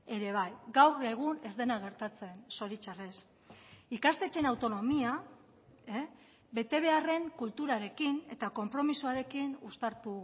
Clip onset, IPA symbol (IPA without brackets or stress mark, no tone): e̞